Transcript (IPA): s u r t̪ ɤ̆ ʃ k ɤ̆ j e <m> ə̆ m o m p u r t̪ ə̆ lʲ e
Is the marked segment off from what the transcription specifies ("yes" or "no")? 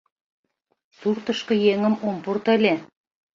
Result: yes